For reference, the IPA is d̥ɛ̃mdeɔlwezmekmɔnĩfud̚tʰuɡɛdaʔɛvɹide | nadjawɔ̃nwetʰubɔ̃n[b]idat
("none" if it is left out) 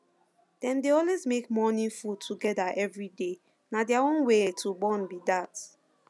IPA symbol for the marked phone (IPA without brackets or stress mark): b